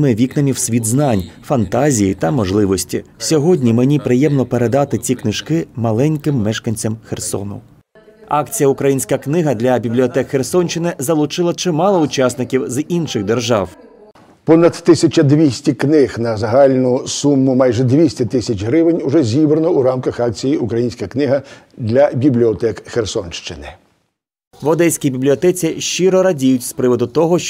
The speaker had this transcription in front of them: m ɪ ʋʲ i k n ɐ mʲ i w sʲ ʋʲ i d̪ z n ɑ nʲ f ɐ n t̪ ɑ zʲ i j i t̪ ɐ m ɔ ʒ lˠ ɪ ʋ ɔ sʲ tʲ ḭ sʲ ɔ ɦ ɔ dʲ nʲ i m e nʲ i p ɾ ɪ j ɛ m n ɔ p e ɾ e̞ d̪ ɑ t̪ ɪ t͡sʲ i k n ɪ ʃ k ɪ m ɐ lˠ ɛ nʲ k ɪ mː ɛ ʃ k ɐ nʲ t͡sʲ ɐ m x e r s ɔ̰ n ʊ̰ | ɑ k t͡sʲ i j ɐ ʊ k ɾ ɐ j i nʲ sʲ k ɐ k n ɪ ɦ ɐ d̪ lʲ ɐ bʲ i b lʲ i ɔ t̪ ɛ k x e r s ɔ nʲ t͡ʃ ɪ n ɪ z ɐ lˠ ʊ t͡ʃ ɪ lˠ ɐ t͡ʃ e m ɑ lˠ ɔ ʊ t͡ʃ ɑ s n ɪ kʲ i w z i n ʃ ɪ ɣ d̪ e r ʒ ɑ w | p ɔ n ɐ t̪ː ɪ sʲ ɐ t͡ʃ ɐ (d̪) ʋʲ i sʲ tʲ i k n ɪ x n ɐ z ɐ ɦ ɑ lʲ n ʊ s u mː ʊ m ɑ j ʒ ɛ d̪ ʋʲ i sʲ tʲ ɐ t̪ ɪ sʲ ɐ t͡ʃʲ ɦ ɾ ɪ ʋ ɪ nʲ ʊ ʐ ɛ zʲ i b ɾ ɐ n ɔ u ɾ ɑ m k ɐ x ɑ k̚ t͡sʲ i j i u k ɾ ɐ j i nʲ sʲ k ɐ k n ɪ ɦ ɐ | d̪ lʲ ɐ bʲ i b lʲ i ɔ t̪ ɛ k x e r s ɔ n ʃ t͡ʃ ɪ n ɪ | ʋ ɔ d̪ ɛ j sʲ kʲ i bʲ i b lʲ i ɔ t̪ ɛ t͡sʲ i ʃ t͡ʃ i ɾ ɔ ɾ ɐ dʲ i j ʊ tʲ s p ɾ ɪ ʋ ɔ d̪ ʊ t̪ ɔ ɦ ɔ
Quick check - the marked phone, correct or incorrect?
correct